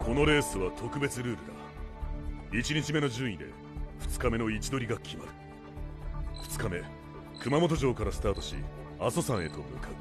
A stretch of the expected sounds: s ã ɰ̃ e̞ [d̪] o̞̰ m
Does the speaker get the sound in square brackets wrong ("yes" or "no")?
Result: yes